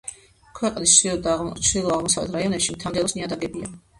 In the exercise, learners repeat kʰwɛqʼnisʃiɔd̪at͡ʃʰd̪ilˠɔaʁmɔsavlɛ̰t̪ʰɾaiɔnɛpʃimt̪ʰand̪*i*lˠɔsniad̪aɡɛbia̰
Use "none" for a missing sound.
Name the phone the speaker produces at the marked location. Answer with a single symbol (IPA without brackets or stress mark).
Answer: ɛ